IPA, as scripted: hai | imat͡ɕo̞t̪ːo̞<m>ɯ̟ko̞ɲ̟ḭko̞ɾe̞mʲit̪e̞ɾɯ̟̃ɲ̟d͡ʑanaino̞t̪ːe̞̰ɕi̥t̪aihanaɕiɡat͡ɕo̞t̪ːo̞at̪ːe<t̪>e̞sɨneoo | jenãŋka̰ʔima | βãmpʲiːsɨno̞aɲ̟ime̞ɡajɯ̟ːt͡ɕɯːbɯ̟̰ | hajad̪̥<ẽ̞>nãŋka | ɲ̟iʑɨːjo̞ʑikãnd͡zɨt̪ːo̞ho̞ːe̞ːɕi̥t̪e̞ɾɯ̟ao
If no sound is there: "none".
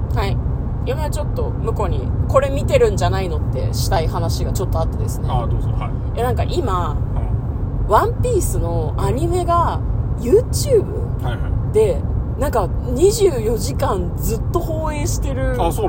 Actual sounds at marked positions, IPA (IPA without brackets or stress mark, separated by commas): m, d̪, e̞